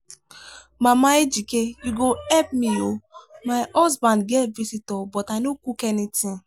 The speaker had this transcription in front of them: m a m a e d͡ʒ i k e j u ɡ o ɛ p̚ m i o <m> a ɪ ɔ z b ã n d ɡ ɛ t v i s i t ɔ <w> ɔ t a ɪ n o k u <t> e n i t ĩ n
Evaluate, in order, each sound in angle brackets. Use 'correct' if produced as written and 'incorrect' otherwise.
correct, incorrect, incorrect

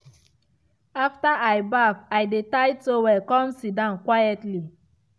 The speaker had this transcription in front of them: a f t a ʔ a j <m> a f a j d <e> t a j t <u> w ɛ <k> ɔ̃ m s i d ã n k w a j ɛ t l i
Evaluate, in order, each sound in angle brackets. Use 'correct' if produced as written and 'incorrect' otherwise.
incorrect, correct, incorrect, correct

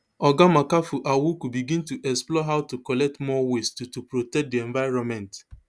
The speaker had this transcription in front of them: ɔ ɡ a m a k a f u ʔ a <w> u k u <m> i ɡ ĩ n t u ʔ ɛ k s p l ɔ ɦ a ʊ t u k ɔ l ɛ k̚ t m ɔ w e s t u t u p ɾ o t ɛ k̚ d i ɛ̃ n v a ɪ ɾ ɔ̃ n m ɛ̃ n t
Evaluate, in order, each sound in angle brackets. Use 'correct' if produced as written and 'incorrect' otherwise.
correct, incorrect

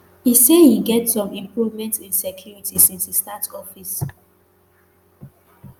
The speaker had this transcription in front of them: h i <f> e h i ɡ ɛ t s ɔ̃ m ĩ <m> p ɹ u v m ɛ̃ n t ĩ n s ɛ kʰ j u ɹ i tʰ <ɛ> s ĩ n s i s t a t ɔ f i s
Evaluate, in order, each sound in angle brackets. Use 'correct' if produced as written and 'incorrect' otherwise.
incorrect, correct, incorrect

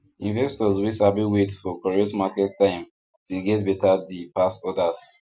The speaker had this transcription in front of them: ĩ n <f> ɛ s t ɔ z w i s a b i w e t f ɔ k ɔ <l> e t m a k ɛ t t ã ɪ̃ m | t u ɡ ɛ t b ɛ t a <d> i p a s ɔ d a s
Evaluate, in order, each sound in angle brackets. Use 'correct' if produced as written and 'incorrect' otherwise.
incorrect, incorrect, correct

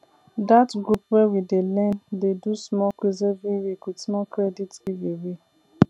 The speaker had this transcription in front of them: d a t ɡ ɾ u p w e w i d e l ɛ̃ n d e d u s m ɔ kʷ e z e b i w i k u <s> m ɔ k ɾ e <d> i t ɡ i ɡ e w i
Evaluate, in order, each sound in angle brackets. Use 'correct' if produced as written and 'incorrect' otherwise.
correct, correct

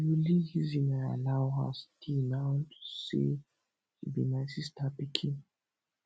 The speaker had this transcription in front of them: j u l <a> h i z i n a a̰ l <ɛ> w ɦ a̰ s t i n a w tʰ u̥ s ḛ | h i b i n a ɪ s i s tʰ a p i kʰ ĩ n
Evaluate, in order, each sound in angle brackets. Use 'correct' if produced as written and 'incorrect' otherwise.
incorrect, incorrect

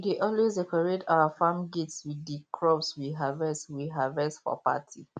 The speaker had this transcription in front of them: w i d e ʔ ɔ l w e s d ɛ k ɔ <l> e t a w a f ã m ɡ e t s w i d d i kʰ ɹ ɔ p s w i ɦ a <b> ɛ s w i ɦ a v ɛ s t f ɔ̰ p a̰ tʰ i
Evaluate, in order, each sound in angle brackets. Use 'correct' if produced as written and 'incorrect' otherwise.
incorrect, incorrect

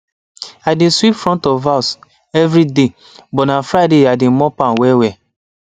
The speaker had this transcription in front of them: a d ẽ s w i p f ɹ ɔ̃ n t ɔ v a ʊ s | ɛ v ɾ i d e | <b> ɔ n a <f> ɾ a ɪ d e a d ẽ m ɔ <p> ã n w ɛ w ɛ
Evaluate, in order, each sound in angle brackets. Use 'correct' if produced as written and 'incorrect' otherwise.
correct, correct, correct

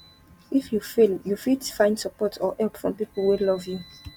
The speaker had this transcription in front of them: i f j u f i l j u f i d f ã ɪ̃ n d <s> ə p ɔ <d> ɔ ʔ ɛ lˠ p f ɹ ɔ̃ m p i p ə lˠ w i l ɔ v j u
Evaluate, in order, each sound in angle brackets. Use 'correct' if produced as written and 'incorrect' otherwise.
correct, incorrect

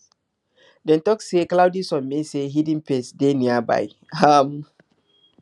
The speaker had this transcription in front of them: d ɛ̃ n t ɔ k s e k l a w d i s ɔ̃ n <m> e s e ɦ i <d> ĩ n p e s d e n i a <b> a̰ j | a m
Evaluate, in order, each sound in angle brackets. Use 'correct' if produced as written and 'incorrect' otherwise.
correct, correct, correct

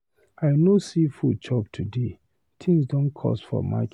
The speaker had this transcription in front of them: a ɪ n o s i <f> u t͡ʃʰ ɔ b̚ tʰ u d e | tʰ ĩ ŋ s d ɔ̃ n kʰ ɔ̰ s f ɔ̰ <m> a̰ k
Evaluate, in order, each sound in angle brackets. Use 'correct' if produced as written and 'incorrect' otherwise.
correct, correct

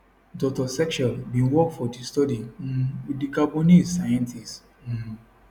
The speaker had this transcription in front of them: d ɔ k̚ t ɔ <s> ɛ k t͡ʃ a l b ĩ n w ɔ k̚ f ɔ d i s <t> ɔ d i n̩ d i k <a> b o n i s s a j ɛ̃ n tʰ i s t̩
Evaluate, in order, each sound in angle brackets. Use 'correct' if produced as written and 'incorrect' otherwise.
correct, correct, correct

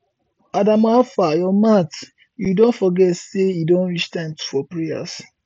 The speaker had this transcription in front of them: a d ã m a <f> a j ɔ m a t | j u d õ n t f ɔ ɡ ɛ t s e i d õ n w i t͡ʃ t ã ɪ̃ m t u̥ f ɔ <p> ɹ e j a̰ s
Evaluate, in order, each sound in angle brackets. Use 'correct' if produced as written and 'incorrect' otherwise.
correct, correct

